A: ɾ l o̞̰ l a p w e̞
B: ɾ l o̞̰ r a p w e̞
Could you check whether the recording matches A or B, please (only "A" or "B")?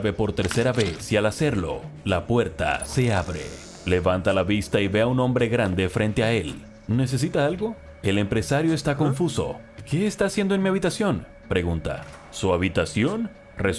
A